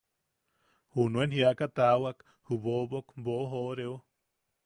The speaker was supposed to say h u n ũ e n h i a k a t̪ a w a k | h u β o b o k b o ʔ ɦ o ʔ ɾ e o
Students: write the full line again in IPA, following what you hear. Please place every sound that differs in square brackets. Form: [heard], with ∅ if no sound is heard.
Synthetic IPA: h u n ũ e n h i a k a t̪ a w a k | h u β o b o k b o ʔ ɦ o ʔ ɾ e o